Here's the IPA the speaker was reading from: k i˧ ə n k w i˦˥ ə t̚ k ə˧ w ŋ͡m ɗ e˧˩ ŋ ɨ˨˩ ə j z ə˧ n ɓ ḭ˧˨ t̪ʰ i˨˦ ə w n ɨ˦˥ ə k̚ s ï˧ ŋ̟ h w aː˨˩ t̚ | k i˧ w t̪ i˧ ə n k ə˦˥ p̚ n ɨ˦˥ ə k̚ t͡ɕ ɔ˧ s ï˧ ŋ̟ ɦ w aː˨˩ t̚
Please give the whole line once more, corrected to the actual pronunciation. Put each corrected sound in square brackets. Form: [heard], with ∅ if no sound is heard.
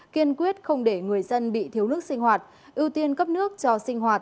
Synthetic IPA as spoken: k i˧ ə n k w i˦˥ ə t̚ [x] ə˧ w ŋ͡m ɗ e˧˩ ŋ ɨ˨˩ ə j z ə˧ n ɓ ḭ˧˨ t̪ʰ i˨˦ ə w n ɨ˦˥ ə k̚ s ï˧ ŋ̟ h w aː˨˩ t̚ | [ʔ] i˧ w t̪ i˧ ə n k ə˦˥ p̚ n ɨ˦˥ ə k̚ t͡ɕ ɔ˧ s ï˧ ŋ̟ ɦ w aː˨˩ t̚